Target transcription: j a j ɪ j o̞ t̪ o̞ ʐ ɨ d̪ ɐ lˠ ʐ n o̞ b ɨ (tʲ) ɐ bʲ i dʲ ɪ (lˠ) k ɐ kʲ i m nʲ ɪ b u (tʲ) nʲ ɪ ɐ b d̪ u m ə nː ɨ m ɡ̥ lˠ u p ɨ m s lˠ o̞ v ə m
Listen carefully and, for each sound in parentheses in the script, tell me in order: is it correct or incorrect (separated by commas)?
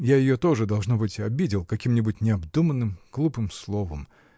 correct, correct, correct